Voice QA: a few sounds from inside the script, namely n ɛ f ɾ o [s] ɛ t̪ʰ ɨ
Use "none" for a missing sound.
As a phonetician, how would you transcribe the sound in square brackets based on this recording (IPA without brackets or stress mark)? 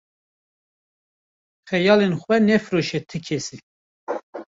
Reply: ʃ